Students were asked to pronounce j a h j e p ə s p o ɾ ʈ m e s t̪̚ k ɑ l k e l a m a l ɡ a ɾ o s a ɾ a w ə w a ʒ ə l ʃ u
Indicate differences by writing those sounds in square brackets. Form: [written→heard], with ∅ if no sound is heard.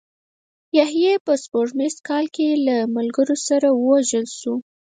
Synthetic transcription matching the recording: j a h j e p ə s p o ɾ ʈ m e s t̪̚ k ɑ l k e l a m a l ɡ [a→ə] ɾ o s a ɾ a w ə w a ʒ ə l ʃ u